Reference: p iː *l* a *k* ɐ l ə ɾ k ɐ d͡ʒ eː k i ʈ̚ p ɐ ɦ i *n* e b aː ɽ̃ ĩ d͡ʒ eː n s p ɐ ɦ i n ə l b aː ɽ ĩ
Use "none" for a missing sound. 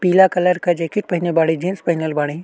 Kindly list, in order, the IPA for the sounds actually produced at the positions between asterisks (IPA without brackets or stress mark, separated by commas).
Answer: l, k, n